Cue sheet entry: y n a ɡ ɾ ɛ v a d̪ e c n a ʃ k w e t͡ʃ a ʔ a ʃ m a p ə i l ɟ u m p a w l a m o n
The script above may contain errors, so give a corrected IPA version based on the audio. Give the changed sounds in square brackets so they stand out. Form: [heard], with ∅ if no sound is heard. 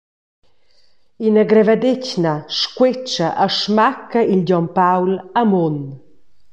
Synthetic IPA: [i] n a ɡ ɾ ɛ v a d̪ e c n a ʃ k w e t͡ʃ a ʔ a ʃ m a [k] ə i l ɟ [ɔ] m p a w l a m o n

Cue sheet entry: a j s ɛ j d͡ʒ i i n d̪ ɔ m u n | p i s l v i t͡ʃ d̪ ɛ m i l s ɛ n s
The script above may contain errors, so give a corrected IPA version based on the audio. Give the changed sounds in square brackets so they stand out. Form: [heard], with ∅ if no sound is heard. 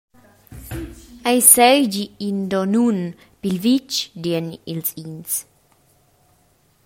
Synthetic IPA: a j s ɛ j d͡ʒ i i n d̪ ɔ [n] u n | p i [∅] l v i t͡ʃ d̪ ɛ [n] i l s [i] n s

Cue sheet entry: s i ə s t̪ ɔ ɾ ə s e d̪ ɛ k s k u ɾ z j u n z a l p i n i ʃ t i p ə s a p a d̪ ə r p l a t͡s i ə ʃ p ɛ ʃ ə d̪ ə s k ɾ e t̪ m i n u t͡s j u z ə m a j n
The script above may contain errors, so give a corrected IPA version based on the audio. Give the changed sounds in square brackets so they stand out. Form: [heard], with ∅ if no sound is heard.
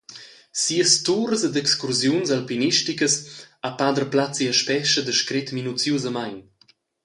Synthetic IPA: s i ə s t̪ [u] ɾ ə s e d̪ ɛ k s k u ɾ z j u n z a l p i n i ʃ t i [k] ə s a p a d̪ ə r p l a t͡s i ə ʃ p ɛ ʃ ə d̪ ə [ʃ] k ɾ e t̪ m i n u t͡s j u z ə m a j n

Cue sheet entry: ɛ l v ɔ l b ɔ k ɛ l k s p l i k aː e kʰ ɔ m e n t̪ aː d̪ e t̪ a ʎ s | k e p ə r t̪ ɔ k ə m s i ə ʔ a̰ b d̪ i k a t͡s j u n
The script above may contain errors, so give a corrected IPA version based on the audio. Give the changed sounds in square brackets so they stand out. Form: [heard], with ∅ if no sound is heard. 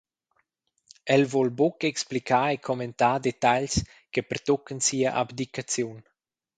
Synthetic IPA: ɛ l v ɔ l b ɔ k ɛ [∅] k s p l i k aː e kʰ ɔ m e n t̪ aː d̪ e t̪ a ʎ s | k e p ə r t̪ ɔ k ə [n] s i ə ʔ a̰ b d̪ i k a t͡s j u n

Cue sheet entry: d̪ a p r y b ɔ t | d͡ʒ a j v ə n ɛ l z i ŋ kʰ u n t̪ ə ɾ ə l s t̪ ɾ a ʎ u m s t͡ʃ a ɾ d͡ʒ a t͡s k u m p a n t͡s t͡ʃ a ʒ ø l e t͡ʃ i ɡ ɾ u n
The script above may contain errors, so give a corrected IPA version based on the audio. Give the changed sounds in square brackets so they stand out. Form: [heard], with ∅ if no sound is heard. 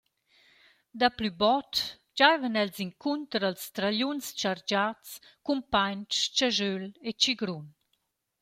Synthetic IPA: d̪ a p [l] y b ɔ t | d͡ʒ a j v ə n ɛ l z i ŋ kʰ u n t̪ ə ɾ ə l s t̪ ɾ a ʎ u [n] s t͡ʃ a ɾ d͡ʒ a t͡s k u m p a [ɲ] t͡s t͡ʃ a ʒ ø l e t͡ʃ i ɡ ɾ u n

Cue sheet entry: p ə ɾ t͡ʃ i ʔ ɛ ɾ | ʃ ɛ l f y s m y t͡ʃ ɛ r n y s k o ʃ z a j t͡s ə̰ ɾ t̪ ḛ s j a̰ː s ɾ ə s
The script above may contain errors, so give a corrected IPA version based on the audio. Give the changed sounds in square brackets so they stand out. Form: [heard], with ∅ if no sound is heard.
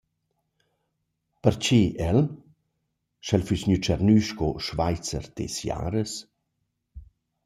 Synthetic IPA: p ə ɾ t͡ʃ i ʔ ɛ [l] | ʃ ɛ l f y s [ɲ] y t͡ʃ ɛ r n y [ʃ] k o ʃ [v] a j t͡s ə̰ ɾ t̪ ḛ s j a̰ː [∅] ɾ ə s

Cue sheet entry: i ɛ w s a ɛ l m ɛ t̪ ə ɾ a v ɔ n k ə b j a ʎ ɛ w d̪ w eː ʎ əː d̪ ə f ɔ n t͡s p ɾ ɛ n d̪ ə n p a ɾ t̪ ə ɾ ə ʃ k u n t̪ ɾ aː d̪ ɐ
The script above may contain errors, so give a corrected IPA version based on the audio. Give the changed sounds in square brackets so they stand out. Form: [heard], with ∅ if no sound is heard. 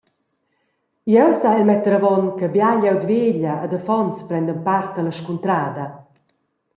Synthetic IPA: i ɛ w s a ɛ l m ɛ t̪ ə ɾ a v ɔ n k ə b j a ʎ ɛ w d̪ [v] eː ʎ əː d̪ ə f ɔ n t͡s p ɾ ɛ n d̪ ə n p a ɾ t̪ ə [l] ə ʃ k u n t̪ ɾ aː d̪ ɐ

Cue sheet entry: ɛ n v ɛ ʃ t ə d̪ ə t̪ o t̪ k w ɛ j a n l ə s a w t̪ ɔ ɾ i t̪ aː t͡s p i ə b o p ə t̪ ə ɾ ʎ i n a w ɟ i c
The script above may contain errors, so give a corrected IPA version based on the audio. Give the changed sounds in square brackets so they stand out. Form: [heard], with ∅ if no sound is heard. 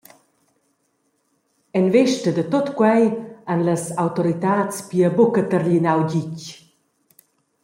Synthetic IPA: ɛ n v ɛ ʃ t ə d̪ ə t̪ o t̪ k w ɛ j a n l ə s a w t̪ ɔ ɾ i t̪ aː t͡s p i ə b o [k] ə t̪ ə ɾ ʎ i n a w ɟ i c

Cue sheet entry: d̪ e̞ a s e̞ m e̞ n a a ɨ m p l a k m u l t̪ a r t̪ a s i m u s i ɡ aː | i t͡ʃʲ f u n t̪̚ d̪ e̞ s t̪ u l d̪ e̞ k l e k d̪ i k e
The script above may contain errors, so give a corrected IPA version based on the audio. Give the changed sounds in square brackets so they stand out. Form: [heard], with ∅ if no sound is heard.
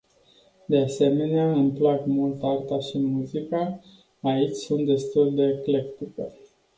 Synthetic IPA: d̪ e̞ a s e̞ m e̞ n [e] a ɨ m p l a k m u l t̪ a r t̪ a [ʃ] i m u [z] i [k] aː | i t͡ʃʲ [s] u n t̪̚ d̪ e̞ s t̪ u l d̪ e̞ k l e k [t̪] i k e

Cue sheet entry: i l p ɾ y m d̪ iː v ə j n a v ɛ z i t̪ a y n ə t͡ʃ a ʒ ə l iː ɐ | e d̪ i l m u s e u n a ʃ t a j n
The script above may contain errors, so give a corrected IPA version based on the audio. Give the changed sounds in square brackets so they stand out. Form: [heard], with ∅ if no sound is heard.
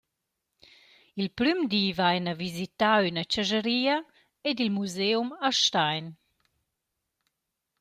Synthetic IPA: i l p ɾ y m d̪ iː v [a] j n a v [i] z i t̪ a y n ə t͡ʃ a ʒ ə [ɾ] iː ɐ | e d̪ i l m u [z] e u [m] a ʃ t a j n

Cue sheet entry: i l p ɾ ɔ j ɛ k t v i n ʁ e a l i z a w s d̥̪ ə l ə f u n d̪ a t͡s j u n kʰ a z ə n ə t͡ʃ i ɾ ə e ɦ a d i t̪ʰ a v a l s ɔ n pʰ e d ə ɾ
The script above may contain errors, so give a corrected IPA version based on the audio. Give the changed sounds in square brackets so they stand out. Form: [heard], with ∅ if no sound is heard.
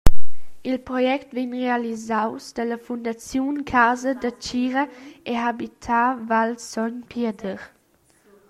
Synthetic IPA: i l p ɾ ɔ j ɛ k t v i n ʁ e a l i z a w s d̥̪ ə l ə f u n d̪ a t͡s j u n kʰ a z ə [d] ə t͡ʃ i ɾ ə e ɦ a [b] i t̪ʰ a v a l s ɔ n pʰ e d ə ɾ

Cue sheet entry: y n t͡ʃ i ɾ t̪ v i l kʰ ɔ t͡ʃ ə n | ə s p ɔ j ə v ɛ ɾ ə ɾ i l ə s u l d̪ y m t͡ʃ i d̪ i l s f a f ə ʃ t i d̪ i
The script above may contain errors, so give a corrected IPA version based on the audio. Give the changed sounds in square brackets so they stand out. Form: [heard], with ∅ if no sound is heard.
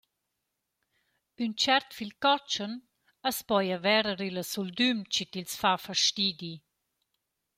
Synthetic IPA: y n t͡ʃ [ɛ] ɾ t̪ [f] i l [k] ɔ t͡ʃ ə n | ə s p ɔ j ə v ɛ ɾ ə ɾ i l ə s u l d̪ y m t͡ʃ i [t̪] i l s f a f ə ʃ t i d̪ i

